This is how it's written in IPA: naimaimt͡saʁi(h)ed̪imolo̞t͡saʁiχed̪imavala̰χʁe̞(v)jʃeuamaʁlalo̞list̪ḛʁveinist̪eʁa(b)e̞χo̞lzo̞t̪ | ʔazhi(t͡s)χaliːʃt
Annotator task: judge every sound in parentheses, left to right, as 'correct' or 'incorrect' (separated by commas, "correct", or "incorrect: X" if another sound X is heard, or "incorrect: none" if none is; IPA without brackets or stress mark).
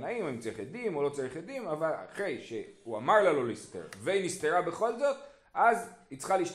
incorrect: χ, incorrect: none, correct, correct